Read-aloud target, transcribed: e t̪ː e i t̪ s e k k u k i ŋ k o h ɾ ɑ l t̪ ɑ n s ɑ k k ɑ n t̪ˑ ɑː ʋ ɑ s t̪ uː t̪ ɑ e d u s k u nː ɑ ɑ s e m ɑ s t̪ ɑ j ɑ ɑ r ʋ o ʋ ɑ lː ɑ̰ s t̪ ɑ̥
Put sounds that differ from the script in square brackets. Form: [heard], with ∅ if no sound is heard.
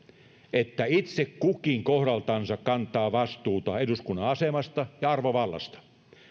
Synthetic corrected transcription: e t̪ː [æ] i t̪ s e k k u k i ŋ k o h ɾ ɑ l t̪ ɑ n s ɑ k k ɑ n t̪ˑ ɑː ʋ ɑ s t̪ uː t̪ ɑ e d u s k u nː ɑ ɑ s e m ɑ s t̪ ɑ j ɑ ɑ r ʋ o ʋ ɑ lː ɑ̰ s t̪ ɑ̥